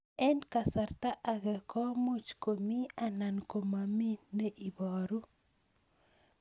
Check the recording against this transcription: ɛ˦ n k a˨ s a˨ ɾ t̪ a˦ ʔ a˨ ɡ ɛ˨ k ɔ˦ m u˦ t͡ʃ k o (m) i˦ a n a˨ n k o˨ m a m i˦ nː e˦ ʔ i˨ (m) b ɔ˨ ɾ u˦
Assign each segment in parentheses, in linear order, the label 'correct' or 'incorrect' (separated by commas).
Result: correct, incorrect